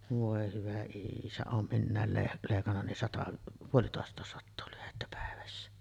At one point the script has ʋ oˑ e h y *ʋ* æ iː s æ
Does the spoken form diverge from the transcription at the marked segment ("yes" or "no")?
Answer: no